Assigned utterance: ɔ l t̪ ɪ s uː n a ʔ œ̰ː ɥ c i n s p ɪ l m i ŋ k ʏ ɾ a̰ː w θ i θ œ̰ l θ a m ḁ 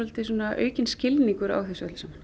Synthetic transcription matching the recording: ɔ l t̪ ɪ s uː n a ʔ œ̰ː ɥ c ɪ n s c ɪ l n i ŋ k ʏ ɾ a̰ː w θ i s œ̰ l s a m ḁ